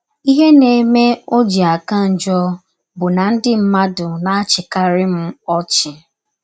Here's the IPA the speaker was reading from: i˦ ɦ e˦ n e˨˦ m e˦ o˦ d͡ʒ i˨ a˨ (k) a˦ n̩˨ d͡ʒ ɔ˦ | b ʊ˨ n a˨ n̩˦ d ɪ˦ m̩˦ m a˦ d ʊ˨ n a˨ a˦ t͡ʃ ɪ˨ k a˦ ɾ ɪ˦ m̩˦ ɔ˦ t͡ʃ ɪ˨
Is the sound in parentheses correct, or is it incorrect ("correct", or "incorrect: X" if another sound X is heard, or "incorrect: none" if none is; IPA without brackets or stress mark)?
correct